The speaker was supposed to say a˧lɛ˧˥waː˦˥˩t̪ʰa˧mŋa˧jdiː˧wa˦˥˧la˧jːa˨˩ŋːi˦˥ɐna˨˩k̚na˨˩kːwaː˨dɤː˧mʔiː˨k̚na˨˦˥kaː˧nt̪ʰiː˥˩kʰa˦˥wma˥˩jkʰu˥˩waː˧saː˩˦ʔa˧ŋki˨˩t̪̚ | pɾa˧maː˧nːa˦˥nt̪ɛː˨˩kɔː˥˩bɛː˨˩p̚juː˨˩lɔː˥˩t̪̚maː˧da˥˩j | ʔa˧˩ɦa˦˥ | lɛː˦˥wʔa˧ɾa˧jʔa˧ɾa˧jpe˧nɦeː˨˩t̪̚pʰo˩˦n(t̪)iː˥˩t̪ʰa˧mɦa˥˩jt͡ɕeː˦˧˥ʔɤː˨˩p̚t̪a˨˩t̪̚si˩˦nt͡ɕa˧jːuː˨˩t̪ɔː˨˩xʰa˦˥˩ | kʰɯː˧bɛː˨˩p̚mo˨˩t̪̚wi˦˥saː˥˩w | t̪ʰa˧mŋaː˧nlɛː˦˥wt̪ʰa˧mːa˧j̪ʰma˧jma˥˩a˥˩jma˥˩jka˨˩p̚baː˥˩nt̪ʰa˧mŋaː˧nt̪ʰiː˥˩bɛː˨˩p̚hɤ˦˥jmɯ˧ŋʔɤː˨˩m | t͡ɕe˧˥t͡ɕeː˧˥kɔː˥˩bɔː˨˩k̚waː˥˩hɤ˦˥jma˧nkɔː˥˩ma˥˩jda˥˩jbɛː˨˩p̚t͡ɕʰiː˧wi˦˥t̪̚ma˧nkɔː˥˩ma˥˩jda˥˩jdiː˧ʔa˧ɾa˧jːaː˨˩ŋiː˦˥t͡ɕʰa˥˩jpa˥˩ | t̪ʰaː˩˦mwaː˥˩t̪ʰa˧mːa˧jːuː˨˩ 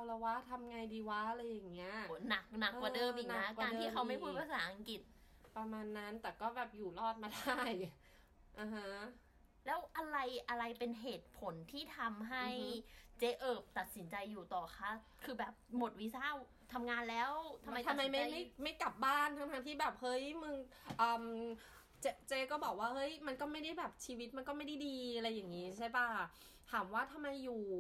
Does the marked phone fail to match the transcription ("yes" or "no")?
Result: yes